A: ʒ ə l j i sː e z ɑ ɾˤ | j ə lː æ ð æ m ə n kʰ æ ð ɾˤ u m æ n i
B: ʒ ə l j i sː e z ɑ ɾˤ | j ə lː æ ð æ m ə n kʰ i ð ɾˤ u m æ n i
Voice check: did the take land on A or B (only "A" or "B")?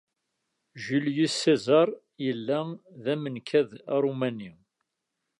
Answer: A